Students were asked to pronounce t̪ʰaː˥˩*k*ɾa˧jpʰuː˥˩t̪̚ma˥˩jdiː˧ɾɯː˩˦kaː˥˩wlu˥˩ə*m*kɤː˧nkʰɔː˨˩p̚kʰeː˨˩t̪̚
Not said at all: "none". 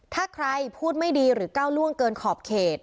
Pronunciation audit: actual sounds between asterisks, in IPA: kʰ, ŋ

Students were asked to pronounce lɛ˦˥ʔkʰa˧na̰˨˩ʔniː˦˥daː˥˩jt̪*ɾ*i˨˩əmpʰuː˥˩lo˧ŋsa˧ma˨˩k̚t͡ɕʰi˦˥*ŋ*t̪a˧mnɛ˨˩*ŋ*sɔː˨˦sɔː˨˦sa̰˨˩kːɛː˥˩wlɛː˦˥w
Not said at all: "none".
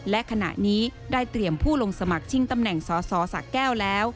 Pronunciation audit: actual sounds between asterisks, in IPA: ɾ, ŋ, ŋ

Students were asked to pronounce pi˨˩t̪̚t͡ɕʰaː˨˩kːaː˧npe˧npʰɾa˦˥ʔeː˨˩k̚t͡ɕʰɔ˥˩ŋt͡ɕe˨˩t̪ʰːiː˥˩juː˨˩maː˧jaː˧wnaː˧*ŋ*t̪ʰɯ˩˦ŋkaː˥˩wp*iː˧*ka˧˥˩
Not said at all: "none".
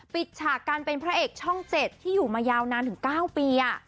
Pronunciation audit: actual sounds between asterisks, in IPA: n, iː˧

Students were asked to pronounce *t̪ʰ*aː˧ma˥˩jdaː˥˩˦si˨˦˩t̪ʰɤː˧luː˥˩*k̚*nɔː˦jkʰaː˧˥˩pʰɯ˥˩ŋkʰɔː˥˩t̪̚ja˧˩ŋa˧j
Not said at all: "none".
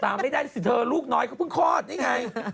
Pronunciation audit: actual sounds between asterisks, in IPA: t̪, k̚

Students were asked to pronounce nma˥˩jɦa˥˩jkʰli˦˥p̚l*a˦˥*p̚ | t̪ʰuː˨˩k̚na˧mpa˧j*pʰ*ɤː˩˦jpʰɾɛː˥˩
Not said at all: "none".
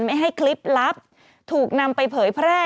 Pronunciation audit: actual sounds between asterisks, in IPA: a˦˥, pʰ

